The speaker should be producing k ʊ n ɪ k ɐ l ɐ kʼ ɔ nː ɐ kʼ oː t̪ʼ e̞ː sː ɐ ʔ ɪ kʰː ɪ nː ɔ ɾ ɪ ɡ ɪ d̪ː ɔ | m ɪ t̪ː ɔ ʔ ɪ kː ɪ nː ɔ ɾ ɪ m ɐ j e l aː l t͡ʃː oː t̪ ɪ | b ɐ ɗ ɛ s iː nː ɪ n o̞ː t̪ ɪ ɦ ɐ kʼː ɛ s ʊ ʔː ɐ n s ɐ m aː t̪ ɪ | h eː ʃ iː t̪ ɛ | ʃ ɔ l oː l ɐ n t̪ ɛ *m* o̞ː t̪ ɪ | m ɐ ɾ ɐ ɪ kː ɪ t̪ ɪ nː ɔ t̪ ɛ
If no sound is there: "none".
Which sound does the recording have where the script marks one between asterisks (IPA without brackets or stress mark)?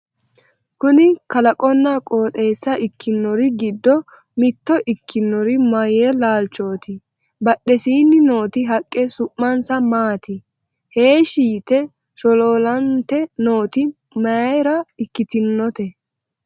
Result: n